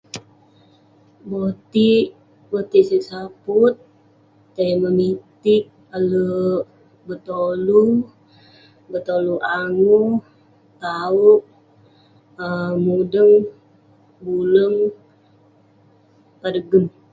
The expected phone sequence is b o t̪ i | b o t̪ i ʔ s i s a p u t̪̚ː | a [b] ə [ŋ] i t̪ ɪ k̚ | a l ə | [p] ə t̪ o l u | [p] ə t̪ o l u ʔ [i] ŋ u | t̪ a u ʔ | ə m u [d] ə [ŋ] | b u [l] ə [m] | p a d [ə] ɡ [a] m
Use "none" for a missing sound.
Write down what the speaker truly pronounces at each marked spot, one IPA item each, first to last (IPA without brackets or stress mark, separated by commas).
m, m, b, b, a, d, ŋ, l, ŋ, ə, ə